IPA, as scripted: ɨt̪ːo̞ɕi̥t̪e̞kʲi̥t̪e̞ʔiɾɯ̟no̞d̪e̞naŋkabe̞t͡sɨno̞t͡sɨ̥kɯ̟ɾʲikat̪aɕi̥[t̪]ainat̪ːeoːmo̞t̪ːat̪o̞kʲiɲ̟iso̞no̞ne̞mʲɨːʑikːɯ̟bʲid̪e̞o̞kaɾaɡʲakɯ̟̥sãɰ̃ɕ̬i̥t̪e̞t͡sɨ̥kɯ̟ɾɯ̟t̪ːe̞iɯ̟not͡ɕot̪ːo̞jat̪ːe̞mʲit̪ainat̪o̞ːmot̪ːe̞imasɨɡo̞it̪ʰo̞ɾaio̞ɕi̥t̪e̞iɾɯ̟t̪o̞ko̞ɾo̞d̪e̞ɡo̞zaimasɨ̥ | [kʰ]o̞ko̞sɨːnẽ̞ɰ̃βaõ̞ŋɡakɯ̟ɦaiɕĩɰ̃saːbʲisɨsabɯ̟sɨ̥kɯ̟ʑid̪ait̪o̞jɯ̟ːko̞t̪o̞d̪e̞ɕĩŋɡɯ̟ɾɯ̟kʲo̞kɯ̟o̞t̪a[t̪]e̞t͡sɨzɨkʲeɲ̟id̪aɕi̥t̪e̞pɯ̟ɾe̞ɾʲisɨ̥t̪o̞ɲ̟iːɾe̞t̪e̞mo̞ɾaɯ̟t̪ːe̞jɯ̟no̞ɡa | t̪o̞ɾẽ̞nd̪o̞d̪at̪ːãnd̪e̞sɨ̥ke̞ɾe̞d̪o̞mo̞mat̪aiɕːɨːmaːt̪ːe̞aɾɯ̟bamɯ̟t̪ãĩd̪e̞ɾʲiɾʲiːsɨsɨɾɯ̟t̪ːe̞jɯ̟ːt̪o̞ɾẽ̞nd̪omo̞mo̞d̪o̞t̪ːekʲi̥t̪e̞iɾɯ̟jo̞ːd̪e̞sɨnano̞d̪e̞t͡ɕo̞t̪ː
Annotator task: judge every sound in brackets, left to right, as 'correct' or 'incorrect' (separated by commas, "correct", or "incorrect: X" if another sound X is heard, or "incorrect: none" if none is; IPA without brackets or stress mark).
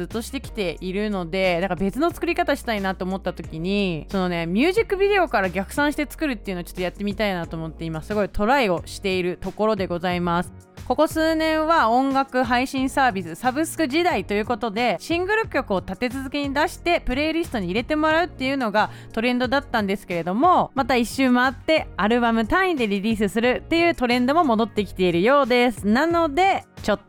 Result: correct, incorrect: k, correct